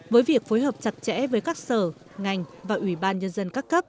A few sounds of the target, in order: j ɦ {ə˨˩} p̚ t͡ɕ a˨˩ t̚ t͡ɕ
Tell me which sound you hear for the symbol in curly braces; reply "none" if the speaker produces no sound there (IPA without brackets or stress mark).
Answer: əː˨˩